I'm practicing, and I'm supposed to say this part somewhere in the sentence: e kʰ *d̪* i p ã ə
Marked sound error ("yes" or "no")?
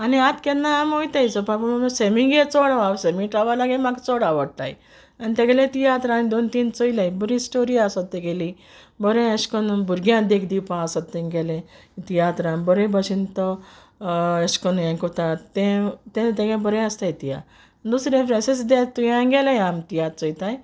no